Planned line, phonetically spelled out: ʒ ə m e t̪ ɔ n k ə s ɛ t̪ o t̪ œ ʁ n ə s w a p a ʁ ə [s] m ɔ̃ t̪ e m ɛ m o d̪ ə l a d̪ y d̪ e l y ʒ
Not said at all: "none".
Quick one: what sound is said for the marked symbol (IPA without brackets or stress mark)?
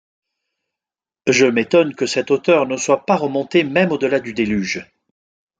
none